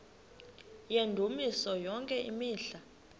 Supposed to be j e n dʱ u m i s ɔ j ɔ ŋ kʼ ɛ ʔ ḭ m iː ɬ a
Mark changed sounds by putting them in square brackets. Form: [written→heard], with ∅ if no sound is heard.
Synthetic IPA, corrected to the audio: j e n dʱ u m i s ɔ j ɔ ŋ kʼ ɛ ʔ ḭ m iː ɬ a